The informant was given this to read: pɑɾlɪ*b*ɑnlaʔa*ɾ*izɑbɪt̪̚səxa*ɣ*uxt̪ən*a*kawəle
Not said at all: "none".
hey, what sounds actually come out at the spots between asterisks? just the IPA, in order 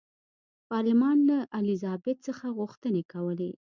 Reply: m, l, ɣ, e

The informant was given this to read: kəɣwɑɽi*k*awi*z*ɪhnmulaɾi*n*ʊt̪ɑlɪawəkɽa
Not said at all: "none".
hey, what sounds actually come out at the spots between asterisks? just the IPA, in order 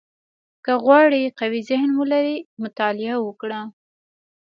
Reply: q, z, m

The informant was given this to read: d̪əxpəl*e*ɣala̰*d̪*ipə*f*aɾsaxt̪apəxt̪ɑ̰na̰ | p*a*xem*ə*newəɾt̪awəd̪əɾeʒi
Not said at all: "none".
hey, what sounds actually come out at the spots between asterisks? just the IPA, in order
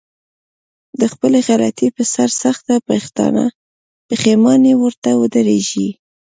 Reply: e, t̪, s, ə, ɑ

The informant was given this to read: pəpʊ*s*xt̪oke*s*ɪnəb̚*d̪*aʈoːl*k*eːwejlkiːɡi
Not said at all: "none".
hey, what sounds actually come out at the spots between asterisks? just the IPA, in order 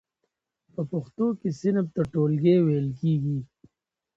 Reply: none, s, t̪, ɡ

